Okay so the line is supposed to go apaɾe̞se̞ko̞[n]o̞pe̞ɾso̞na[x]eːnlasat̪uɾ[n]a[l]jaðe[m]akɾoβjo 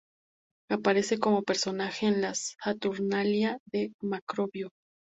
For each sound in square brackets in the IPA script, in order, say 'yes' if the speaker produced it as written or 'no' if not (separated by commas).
no, yes, yes, yes, yes